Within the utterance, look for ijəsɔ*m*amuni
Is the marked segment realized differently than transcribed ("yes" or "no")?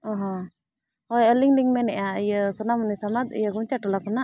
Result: yes